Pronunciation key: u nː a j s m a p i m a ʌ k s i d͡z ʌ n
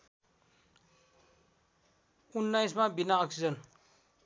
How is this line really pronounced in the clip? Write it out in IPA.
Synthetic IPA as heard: u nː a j s m a b i n a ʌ k s i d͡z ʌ n